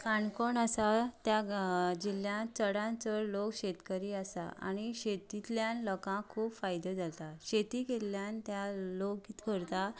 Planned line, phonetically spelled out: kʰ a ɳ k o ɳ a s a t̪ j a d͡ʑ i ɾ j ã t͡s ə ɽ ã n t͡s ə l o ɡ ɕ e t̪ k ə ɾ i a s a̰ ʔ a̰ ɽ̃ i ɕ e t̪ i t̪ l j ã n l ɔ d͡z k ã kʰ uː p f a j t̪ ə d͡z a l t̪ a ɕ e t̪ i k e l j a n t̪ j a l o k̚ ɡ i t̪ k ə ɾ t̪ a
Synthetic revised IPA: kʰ a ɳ k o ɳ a s a t̪ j a d͡ʑ i l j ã t͡s ə ɽ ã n t͡s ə l o k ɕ e t̪ k ə ɾ i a s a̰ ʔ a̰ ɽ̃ i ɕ e t̪ i t̪ l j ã n l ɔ k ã kʰ uː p f a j d̪ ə d͡z a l t̪ a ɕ e t̪ i k e l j a n t̪ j a l o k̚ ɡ i t̪ k ə ɾ t̪ a

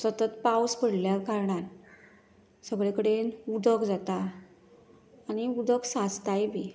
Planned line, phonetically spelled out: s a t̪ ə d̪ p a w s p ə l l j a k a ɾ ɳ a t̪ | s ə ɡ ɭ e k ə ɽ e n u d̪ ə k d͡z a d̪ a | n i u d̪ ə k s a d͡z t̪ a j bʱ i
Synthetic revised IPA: s ə t̪ ə t̪ p a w s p ə ɽ l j a k a ɾ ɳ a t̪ | s ə ɡ ɭ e k ə ɽ e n u d̪ ə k d͡z a t̪ a | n i u d̪ ə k s a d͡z t̪ a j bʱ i

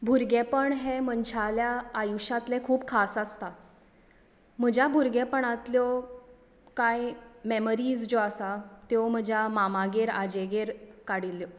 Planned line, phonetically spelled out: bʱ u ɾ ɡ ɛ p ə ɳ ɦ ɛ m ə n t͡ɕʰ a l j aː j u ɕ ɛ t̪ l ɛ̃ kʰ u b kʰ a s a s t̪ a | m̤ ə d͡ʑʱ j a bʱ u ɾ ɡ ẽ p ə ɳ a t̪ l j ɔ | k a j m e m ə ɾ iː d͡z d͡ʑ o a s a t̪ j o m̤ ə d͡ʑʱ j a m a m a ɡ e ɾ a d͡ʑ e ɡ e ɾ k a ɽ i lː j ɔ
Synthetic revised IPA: bʱ u ɾ ɡ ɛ p ə ɳ ɦ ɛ m ə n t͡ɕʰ a l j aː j u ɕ a t̪ l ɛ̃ kʰ uː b kʰ a s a s t̪ a | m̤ ə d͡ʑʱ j a bʱ u ɾ ɡ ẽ p ə ɳ a t̪ l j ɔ | k a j m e m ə ɾ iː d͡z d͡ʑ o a s a t̪ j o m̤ ə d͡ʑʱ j a m a m a ɡ e ɾ a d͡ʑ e ɡ e ɾ k a ɽ i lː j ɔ

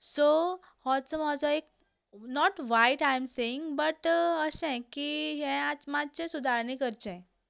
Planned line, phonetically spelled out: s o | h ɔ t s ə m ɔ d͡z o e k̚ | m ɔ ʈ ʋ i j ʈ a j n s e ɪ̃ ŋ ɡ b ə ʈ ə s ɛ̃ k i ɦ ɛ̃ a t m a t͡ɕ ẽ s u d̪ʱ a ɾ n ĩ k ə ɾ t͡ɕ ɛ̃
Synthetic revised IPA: s o | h ɔ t s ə m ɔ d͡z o e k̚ | n ɔ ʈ ʋ a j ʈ a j m s e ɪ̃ ŋ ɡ b ə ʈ ə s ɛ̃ k i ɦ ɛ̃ a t m a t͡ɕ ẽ s u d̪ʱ a ɾ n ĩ k ə ɾ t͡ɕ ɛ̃

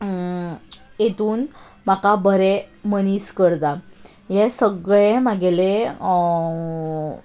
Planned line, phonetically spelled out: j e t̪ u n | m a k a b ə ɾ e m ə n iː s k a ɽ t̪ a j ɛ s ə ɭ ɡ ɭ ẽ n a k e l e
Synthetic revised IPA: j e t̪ uː n | m a k a b ə ɾ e m ə n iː s k ə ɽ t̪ a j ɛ s ə ɡ ɭ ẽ m a ɡ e l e

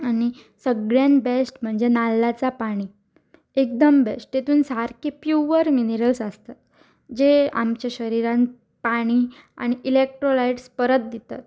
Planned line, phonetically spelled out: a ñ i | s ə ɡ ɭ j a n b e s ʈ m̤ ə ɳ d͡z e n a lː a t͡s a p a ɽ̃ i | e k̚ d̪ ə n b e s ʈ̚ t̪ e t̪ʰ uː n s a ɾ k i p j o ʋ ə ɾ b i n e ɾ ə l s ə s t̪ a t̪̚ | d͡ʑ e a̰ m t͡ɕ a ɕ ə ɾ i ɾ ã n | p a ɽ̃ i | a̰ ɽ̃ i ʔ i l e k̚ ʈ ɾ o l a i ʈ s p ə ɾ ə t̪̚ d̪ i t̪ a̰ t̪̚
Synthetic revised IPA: a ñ i | s ə ɡ ɭ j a n b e s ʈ m̤ ə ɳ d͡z e n a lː a t͡s a p a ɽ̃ i | e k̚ d̪ ə m b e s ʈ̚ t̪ e t̪ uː n s a ɾ k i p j u ʋ ə ɾ m i n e ɾ ə l s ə s t̪ a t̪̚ | d͡ʑ e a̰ m t͡ɕ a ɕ ə ɾ i ɾ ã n | p a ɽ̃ i | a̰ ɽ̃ i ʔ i l e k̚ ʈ ɾ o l a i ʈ s p ə ɾ ə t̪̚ d̪ i t̪ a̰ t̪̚

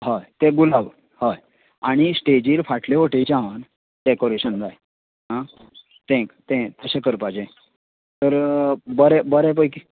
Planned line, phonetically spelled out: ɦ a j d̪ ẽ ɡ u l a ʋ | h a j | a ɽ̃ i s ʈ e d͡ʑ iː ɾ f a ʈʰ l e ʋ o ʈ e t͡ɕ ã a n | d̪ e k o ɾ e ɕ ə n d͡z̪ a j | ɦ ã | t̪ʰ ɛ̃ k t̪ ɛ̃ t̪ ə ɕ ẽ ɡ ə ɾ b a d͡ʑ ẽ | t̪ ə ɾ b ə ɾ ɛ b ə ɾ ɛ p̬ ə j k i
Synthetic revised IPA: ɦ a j t̪ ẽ ɡ u l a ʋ | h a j | a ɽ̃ i s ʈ e d͡ʑ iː ɾ f a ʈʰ l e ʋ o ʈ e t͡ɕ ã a n | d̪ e k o ɾ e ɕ ə n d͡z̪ a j | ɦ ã | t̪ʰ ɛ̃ k t̪ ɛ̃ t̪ ə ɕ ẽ k ə ɾ p a d͡ʑ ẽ | t̪ ə ɾ b ə ɾ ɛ b ə ɾ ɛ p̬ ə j k i

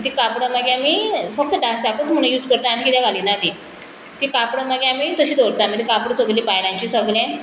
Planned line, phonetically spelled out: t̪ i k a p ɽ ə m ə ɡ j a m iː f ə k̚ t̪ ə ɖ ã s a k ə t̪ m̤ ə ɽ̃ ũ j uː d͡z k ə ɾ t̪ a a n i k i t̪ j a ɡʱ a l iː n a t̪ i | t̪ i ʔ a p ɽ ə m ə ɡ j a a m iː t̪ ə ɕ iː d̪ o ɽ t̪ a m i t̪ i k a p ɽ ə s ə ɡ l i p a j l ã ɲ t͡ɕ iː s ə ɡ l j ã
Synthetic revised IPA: t̪ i k a p ɽ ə m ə ɡ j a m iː f ə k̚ t̪ ə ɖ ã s a k ə t̪ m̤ ə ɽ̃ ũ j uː d͡z k ə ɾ t̪ a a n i k i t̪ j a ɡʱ a l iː n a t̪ i | t̪ i k a p ɽ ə m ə ɡ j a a m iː t̪ ə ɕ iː d̪ o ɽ t̪ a m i t̪ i k a p ɽ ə s ə ɡ l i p a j l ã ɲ t͡ɕ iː s ə ɡ l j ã

